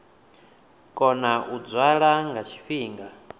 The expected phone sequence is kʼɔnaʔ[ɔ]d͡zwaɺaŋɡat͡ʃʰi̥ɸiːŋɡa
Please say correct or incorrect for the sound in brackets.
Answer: incorrect